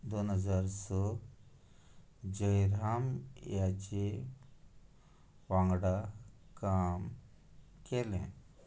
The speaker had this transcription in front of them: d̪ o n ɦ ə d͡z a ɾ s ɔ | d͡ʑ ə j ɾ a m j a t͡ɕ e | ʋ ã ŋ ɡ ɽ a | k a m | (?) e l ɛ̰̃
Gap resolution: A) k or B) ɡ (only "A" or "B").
A